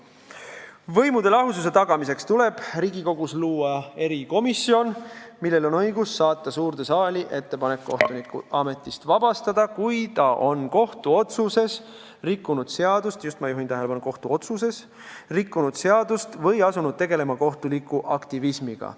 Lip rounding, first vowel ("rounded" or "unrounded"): unrounded